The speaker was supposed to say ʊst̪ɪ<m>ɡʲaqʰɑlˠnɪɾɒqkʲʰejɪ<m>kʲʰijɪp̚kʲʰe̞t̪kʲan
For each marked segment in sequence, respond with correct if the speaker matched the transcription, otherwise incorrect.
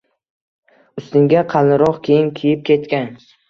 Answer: incorrect, incorrect

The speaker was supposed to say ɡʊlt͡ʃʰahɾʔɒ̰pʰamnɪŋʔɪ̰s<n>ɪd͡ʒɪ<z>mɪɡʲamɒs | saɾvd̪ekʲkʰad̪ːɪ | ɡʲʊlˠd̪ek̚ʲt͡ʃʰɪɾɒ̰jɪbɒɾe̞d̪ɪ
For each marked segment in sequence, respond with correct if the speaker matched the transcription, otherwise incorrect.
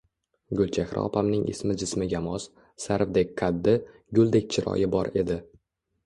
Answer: incorrect, incorrect

